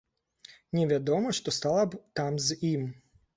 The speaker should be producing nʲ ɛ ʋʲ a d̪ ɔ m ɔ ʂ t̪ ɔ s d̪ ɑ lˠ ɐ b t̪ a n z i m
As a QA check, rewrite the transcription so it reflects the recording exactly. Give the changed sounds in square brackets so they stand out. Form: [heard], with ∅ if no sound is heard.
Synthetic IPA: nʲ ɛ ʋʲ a d̪ ɔ m ɔ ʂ t̪ ɔ s [t̪] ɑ lˠ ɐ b t̪ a [m] z i m